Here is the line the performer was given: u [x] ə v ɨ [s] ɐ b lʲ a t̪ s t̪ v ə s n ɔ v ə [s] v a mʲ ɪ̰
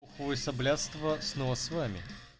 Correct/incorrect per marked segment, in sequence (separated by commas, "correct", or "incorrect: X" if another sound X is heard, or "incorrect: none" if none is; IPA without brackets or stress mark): correct, correct, correct